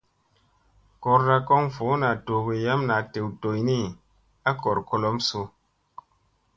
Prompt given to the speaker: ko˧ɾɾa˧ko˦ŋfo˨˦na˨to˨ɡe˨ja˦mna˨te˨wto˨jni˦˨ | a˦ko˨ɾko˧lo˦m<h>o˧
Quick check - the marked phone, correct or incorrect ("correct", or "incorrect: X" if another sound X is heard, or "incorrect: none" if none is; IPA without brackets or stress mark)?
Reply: incorrect: s